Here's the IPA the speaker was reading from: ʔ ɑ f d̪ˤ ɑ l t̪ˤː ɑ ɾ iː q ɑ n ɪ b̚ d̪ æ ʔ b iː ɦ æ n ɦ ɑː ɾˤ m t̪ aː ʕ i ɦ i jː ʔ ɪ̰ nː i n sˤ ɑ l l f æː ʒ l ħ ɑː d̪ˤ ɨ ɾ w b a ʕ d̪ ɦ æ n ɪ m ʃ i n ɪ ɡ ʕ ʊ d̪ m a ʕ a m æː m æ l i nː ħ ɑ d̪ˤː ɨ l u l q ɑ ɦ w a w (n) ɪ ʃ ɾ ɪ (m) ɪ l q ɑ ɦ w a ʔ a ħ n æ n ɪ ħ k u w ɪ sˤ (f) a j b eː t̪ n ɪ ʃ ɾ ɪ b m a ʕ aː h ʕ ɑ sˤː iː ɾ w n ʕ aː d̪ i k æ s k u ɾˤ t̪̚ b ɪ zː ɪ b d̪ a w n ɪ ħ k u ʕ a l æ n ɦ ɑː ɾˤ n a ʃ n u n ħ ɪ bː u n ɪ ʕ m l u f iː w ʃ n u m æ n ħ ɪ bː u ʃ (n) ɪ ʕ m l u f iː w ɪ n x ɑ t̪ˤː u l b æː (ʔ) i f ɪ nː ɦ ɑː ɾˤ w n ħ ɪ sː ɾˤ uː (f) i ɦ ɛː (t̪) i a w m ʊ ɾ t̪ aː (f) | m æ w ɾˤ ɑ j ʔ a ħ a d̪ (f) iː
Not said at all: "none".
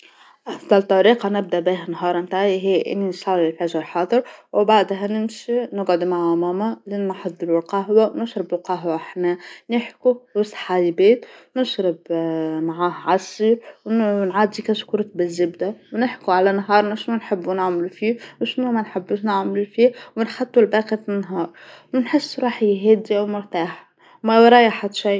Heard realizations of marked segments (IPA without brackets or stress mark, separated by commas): n, b, ħ, n, q, ħ, d̪, ħ, ʃ